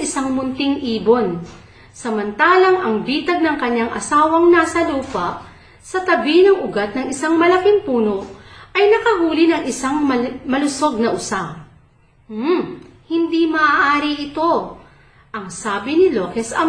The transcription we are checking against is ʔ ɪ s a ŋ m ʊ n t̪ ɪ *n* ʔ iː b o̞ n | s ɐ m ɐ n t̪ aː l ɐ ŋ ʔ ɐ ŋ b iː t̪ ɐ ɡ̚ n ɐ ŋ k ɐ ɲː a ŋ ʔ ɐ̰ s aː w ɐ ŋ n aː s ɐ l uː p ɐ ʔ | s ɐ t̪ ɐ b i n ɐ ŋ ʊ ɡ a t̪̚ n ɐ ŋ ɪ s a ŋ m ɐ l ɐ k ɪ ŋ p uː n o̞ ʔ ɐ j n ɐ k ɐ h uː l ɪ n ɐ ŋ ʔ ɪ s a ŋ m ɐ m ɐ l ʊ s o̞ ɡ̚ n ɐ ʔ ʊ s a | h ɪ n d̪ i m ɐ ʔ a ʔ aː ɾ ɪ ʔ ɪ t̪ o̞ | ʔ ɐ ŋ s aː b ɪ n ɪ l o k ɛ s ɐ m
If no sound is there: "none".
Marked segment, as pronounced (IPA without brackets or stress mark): ŋ